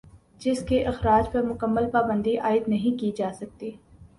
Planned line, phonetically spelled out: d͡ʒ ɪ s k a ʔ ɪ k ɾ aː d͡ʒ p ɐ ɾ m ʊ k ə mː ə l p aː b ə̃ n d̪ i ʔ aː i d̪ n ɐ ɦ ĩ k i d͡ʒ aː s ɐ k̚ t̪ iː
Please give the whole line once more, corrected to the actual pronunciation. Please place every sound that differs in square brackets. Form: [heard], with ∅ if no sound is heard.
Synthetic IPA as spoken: d͡ʒ ɪ s k [e] ʔ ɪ [x] ɾ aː d͡ʒ p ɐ ɾ m ʊ k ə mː ə l p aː b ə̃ n d̪ i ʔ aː [ɪ] d̪ n ɐ ɦ ĩ k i d͡ʒ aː s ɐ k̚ t̪ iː